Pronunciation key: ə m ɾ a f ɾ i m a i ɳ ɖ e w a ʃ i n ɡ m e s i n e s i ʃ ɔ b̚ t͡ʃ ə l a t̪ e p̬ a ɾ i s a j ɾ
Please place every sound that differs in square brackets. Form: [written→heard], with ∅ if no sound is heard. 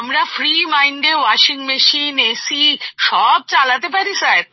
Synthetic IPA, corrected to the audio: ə m ɾ a f ɾ i m a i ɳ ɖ e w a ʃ i [n→ŋ] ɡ m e [s→ʃ] i n e s i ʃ ɔ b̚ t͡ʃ [ə→a] l a t̪ e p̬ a ɾ i s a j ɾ